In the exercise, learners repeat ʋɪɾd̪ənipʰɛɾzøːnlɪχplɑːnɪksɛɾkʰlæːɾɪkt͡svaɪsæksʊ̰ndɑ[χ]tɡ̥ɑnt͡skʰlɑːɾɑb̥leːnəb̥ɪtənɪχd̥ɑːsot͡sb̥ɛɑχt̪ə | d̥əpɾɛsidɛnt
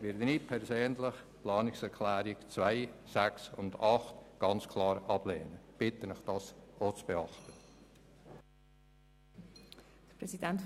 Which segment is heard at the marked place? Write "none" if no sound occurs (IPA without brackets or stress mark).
χ